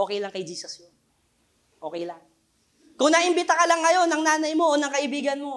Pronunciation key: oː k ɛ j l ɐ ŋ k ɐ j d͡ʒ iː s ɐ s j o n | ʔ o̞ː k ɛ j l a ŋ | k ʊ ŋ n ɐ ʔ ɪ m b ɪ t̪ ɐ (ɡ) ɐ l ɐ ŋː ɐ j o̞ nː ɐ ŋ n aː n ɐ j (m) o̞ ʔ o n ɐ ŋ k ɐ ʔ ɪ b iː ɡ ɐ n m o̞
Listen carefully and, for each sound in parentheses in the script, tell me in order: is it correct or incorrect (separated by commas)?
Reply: incorrect, correct